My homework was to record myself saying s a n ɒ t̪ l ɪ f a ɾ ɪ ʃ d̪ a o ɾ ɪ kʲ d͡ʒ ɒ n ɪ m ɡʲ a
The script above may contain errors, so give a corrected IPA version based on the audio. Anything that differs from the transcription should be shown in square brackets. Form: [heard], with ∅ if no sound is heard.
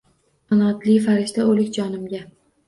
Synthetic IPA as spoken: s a n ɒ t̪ l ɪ f a ɾ ɪ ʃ [t̪] a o [l] ɪ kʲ d͡ʒ ɒ n ɪ m ɡʲ a

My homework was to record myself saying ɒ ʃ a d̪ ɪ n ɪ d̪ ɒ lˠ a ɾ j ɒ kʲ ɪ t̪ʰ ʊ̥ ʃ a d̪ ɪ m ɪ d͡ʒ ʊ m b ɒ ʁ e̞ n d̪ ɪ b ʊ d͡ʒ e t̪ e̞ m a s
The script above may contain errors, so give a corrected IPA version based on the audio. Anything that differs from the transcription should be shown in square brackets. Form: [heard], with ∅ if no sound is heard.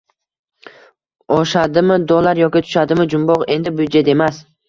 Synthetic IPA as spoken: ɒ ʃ a d̪ ɪ [m] ɪ d̪ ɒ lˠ a ɾ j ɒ kʲ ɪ t̪ʰ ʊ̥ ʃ a d̪ ɪ m ɪ d͡ʒ ʊ m b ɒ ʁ e̞ n d̪ ɪ b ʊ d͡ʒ e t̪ e̞ m a s

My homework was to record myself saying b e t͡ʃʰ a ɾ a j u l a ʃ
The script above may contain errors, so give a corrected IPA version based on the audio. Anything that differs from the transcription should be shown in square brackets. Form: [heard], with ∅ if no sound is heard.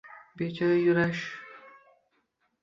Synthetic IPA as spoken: b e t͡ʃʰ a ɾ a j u [ɾ] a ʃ

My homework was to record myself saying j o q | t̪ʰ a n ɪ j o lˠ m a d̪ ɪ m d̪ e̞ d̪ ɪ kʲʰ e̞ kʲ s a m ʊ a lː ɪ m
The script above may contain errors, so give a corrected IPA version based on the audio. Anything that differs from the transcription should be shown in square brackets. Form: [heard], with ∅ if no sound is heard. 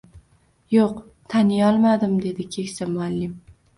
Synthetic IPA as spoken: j o q | t̪ʰ a n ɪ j [ɒ] lˠ m a d̪ ɪ m d̪ e̞ d̪ ɪ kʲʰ e̞ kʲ s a m ʊ a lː ɪ m

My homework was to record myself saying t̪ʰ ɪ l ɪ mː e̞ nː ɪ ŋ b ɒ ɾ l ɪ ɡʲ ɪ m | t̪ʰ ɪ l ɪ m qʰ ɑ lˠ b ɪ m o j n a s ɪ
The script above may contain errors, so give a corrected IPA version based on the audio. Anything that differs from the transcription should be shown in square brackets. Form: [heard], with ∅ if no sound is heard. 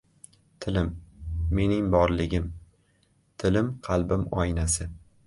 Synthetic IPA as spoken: t̪ʰ ɪ l ɪ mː e̞ [n] ɪ ŋ b ɒ ɾ l ɪ ɡʲ ɪ m | t̪ʰ ɪ l ɪ m qʰ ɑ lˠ b ɪ m [ɒ] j n a s ɪ

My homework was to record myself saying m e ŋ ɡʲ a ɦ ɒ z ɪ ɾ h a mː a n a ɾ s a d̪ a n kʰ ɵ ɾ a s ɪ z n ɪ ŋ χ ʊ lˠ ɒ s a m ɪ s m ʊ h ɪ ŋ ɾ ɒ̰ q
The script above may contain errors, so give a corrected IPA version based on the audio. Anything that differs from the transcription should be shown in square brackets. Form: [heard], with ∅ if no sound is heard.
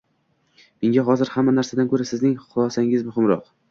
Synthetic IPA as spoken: m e ŋ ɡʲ a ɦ ɒ z ɪ ɾ h a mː a n a ɾ s a d̪ a n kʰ ɵ ɾ a s ɪ z n ɪ ŋ χ ʊ lˠ ɒ s a [ŋ] ɪ [z] m ʊ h ɪ [m] ɾ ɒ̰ q

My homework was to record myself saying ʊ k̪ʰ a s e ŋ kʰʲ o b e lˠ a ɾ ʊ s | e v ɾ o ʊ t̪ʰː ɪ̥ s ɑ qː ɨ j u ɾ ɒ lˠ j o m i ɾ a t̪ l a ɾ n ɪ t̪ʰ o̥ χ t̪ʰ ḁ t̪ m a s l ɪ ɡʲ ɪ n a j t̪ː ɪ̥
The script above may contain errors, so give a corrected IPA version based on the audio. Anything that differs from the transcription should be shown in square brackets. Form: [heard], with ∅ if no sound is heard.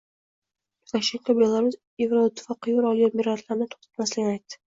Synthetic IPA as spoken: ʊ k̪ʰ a [ʃ] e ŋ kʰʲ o b e lˠ a ɾ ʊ s | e v ɾ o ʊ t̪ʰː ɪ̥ [f] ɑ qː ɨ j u ɾ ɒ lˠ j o m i ɾ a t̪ l a ɾ n ɪ t̪ʰ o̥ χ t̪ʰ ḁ t̪ m a s l ɪ ɡʲ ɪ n a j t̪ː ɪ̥

